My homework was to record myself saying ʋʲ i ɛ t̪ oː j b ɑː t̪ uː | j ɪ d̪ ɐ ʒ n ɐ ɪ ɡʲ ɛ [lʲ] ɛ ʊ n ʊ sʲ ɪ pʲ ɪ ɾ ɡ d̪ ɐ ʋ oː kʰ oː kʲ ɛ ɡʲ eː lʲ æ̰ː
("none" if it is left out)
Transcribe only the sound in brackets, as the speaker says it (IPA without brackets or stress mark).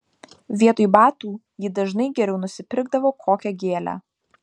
ɾʲ